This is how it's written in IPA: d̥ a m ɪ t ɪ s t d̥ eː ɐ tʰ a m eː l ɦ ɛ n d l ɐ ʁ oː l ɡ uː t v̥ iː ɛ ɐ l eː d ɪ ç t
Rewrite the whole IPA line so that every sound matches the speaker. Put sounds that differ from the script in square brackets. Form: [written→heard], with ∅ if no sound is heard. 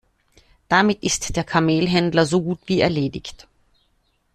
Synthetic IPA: d̥ a m ɪ t ɪ s t d̥ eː ɐ [tʰ→kʰ] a m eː l ɦ ɛ n d l ɐ [ʁ→z] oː [l→∅] ɡ uː t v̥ iː ɛ ɐ l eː d ɪ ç t

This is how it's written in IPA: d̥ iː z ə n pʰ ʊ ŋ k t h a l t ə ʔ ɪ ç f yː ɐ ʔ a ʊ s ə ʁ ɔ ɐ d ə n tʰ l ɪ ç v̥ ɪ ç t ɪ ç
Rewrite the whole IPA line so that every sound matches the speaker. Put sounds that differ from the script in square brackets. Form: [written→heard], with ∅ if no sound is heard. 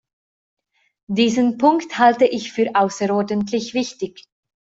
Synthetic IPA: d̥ iː z ə n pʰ ʊ ŋ k t h a l t ə ʔ ɪ ç f yː ɐ ʔ a ʊ s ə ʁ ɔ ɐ d ə n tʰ l ɪ ç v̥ ɪ ç t ɪ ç

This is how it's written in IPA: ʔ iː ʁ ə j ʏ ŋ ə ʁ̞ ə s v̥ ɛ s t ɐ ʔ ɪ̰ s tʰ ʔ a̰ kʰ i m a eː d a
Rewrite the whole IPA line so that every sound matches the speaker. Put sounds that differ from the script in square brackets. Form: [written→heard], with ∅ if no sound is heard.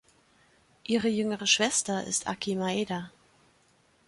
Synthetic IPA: ʔ iː ʁ ə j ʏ ŋ ə ʁ̞ ə [s→ʃ] v̥ ɛ s t ɐ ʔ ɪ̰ s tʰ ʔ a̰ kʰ i m a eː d a

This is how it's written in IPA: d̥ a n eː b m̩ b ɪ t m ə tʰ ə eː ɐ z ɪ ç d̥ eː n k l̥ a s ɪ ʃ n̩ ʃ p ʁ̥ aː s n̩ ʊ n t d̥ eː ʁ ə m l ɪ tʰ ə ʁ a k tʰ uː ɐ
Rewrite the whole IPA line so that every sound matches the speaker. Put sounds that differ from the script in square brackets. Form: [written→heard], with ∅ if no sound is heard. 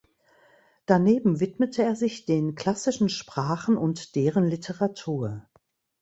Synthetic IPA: d̥ a n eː b m̩ [b→v] ɪ t m ə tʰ ə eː ɐ z ɪ ç d̥ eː n k l̥ a s ɪ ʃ n̩ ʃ p ʁ̥ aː [s→χ] n̩ ʊ n t d̥ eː ʁ ə [m→n] l ɪ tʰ ə ʁ a [k→∅] tʰ uː ɐ

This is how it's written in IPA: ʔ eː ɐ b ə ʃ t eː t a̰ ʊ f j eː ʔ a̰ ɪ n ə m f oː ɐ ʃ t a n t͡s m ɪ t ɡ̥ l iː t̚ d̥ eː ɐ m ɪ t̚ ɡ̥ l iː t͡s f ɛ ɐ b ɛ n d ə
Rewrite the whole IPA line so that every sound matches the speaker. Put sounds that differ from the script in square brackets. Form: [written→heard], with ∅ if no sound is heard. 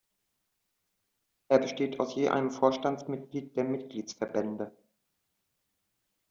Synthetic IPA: ʔ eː ɐ b ə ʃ t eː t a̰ ʊ [f→s] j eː ʔ a̰ ɪ n ə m f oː ɐ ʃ t a n t͡s m ɪ t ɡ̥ l iː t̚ d̥ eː ɐ m ɪ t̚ ɡ̥ l iː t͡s f ɛ ɐ b ɛ n d ə

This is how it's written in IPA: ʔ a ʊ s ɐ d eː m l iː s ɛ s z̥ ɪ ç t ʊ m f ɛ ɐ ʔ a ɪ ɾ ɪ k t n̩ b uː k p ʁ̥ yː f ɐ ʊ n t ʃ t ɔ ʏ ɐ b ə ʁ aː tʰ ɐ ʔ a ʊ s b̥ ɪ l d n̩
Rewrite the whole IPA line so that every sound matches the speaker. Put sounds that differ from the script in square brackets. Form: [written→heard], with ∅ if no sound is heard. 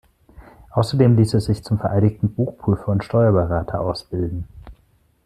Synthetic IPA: ʔ a ʊ s ɐ d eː m l iː s ɛ s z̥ ɪ ç [t→t͡s] ʊ m f ɛ ɐ ʔ a ɪ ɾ ɪ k t n̩ b uː [k→x] p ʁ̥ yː f ɐ ʊ n t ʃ t ɔ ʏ ɐ b ə ʁ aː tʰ ɐ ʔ a ʊ s b̥ ɪ l d n̩

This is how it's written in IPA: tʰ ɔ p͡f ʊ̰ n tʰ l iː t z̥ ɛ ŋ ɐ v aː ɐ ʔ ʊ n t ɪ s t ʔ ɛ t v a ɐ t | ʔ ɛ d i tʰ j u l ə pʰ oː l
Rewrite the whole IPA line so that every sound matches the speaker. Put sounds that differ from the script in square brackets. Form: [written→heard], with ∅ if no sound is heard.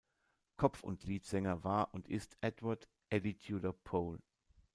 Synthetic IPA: [tʰ→kʰ] ɔ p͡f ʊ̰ n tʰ l iː t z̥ ɛ ŋ ɐ v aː ɐ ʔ ʊ n t ɪ s t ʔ ɛ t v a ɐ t | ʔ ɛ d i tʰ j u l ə pʰ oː l

